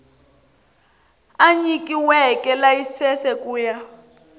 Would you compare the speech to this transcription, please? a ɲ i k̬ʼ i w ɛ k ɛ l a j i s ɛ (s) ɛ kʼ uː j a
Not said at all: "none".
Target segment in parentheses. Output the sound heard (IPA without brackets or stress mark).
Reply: s